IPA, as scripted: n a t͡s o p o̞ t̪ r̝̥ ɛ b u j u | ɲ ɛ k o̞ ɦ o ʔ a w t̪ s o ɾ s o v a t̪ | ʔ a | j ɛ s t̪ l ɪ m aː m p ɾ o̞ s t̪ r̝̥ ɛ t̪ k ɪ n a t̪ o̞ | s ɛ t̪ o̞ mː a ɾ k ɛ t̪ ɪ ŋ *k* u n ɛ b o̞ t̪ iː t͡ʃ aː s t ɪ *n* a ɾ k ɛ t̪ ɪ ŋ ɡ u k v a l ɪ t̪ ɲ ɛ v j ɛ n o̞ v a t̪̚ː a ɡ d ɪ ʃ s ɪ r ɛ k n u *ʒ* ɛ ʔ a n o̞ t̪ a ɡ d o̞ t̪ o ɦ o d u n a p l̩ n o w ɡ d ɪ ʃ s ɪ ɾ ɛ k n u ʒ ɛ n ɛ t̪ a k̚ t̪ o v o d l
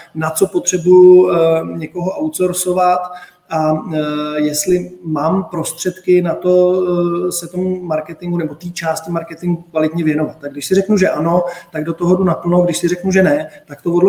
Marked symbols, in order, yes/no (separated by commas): no, no, yes